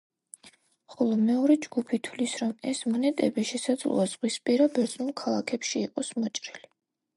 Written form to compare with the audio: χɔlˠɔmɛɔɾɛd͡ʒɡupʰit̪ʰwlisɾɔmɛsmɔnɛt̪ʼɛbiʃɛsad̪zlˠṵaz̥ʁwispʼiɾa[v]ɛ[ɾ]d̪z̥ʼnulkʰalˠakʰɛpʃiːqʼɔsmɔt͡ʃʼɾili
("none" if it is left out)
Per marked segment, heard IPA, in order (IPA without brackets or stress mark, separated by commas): b, ɾ